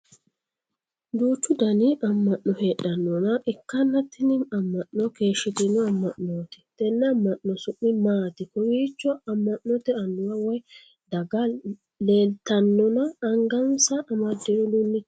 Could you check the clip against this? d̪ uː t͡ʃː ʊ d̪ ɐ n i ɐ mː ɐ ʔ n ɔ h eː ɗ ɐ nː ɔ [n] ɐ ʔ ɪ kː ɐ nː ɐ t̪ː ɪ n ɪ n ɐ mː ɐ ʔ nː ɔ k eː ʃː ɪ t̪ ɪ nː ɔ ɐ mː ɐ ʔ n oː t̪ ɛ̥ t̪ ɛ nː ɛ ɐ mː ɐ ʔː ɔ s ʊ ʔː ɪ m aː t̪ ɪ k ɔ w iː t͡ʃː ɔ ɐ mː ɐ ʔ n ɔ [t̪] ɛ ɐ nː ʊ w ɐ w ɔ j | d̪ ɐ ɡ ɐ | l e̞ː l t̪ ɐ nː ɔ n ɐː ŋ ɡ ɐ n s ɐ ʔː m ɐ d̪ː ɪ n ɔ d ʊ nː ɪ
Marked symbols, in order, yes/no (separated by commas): yes, yes